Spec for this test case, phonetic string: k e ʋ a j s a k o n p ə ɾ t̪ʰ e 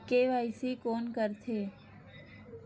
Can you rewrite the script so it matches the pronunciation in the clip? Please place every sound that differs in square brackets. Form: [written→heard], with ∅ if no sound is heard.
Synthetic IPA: k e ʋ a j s [a→i] k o n [p→k] ə ɾ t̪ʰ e